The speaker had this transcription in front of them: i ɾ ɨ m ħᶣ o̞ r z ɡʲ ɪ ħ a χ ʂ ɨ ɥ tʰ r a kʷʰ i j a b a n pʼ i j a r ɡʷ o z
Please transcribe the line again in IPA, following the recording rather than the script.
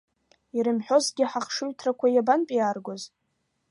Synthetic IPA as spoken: i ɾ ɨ m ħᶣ o̞ z ɡʲ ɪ ħ a χ ʂ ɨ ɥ tʰ r a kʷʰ a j a b a n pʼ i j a r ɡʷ o z